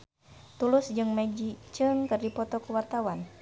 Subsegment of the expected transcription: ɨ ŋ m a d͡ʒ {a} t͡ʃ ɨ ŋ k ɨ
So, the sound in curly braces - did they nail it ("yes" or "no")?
no